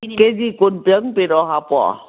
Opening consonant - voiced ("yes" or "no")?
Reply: no